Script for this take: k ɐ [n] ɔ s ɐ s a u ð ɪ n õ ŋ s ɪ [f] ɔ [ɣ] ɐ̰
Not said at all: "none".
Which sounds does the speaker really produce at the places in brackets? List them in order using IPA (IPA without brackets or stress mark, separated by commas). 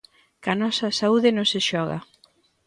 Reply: n, ʃ, ɣ